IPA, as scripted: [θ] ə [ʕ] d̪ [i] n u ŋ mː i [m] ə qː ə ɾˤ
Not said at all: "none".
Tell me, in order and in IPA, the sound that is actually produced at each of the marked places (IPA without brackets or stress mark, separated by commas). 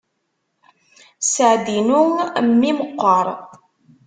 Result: s, ʕ, i, m